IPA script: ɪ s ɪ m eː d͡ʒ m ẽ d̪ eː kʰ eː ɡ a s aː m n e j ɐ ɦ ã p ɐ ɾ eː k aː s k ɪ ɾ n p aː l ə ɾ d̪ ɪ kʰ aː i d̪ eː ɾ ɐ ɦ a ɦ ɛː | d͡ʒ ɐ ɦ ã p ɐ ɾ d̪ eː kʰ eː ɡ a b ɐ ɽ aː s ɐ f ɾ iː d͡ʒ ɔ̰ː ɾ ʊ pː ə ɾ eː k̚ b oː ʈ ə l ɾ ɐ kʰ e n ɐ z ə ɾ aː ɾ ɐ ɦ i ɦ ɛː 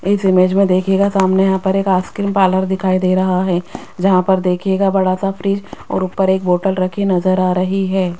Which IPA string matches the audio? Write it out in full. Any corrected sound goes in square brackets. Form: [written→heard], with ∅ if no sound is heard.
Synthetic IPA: ɪ s ɪ m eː d͡ʒ m ẽ d̪ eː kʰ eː ɡ a s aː m n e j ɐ ɦ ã p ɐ ɾ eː k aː s k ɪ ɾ [n→m] p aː l ə ɾ d̪ ɪ kʰ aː i d̪ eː ɾ ɐ ɦ a ɦ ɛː | d͡ʒ ɐ ɦ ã p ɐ ɾ d̪ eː kʰ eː ɡ a b ɐ ɽ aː s [ɐ→a] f ɾ iː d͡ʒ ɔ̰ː ɾ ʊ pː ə ɾ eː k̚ b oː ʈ ə l ɾ ɐ kʰ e n ɐ z ə ɾ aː ɾ ɐ ɦ i ɦ ɛː